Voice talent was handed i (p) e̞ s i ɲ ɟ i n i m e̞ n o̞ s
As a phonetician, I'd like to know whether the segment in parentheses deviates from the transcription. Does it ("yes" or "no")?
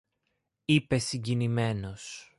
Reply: no